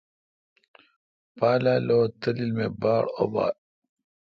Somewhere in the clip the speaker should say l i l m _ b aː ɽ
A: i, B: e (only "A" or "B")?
B